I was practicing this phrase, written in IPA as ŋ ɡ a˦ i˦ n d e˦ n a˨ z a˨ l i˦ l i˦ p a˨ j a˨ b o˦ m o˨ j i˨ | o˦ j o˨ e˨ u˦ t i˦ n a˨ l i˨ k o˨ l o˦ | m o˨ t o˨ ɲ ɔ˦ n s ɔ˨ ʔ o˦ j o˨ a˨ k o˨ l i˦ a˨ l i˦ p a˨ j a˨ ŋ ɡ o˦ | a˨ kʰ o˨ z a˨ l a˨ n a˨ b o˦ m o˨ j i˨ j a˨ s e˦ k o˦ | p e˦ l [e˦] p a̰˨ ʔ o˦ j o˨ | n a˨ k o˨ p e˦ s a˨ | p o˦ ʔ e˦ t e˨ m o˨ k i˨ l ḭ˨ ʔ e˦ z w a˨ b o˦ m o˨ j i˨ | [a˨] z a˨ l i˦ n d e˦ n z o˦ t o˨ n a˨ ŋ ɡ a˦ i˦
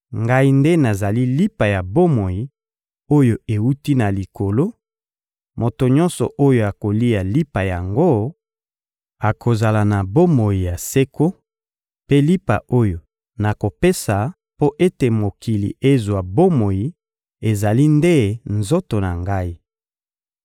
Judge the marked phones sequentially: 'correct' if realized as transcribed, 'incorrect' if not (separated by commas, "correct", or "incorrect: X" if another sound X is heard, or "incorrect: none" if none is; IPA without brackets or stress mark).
incorrect: i˦, incorrect: e˨